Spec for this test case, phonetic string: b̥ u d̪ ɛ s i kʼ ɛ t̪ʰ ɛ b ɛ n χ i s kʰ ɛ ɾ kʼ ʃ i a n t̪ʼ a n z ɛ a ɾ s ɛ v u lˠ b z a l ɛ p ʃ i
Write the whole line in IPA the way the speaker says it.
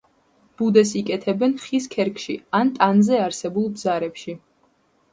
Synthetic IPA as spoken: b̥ u d̪ ɛ s i kʼ ɛ t̪ʰ ɛ b ɛ n χ i s kʰ ɛ ɾ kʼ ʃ i a n t̪ʼ a n z ɛ a ɾ s ɛ b u lˠ b z a ɾ ɛ p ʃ i